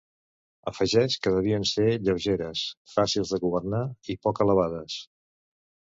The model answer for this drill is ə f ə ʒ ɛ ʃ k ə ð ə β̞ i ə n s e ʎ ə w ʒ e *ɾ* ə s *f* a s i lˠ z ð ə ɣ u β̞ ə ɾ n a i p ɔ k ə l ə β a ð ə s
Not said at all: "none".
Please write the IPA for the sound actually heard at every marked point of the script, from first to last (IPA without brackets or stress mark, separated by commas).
ɾ, f